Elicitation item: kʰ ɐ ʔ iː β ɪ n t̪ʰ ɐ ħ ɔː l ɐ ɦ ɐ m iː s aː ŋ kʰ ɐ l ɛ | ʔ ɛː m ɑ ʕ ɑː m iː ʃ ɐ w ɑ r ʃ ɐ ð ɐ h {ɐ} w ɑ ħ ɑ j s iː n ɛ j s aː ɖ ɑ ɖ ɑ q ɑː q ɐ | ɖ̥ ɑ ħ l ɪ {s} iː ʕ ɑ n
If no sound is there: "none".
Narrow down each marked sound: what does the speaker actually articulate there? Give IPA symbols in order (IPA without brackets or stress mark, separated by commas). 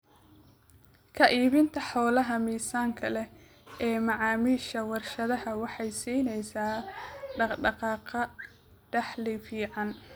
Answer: ɐ, f